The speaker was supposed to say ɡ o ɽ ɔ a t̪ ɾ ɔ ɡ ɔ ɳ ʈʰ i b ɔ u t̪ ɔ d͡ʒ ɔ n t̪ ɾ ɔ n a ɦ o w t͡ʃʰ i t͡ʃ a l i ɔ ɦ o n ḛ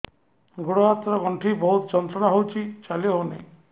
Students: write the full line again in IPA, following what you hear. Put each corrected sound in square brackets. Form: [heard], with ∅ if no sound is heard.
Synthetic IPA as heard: ɡ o ɽ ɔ a t̪ ɾ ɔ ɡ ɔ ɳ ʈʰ i b ɔ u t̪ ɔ d͡ʒ ɔ n t̪ ɾ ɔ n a ɦ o w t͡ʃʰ i t͡ʃ a l i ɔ ɦ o n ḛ

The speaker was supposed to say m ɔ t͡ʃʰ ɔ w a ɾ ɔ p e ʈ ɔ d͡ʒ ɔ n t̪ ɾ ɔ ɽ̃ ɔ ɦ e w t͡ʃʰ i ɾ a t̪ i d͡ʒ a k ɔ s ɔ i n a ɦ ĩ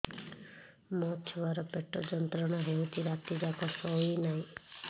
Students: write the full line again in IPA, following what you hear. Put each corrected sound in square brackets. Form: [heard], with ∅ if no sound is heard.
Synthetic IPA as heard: m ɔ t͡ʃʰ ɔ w a ɾ ɔ p e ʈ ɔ d͡ʒ ɔ n t̪ ɾ ɔ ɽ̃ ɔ ɦ e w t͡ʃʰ i ɾ a t̪ i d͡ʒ a k ɔ s ɔ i n a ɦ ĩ

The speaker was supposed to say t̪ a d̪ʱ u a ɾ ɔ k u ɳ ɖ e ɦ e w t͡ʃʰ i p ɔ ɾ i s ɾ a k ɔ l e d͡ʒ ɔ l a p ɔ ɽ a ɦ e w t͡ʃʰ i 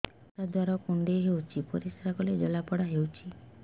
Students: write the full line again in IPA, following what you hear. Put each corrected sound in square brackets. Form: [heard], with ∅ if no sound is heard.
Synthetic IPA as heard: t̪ a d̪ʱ [w] a ɾ ɔ k u ɳ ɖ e ɦ e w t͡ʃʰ i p ɔ ɾ i s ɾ a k ɔ l e d͡ʒ ɔ l a p ɔ ɽ a ɦ e w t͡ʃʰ i

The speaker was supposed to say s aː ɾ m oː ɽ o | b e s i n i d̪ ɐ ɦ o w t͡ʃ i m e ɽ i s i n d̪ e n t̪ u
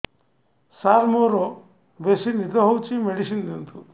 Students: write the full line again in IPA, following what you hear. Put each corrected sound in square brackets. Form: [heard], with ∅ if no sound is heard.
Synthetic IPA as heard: s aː ɾ m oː [ɾ] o | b e s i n i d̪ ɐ ɦ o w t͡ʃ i m e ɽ i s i n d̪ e n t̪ u

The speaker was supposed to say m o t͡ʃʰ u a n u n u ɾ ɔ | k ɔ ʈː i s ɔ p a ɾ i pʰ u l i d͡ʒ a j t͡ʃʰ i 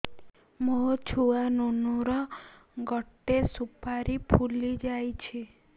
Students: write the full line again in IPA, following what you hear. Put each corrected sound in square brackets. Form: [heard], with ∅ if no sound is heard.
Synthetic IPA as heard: m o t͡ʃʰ u a n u n u ɾ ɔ | [ɡ] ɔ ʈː [e] s [u] p a ɾ i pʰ u l i d͡ʒ a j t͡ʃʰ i

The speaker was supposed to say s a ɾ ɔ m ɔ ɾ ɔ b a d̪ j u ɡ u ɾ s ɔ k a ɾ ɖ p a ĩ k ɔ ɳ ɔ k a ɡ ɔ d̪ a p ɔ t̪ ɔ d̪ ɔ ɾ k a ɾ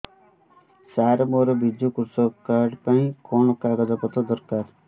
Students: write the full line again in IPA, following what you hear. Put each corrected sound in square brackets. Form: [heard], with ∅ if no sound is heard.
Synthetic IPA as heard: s a ɾ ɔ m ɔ ɾ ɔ b [i] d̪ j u [k] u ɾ s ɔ k a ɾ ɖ p a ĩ k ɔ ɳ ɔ k a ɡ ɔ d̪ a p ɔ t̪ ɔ d̪ ɔ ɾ k a ɾ

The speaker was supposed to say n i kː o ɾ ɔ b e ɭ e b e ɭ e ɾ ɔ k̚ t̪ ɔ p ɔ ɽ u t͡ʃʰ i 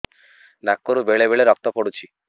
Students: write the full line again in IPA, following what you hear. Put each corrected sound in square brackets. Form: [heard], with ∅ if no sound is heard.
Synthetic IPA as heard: n [a] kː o ɾ [u] b e ɭ e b e ɭ e ɾ ɔ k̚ t̪ ɔ p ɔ ɽ u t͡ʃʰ i

